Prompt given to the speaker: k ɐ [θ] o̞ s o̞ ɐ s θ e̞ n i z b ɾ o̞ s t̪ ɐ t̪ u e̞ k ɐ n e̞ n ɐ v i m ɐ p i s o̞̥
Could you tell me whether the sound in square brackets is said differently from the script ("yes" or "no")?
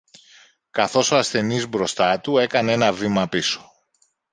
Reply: no